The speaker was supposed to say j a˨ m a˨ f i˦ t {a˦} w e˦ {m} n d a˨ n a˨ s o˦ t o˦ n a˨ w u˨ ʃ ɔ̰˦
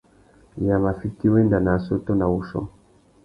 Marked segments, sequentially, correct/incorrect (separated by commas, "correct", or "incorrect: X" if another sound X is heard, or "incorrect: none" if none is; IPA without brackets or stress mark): incorrect: i˦, incorrect: none